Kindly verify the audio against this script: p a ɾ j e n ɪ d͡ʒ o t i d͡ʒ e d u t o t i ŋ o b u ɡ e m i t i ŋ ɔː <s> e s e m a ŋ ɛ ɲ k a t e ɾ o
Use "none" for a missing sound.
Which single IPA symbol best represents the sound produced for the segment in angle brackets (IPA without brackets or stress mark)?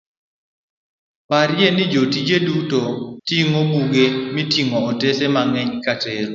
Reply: t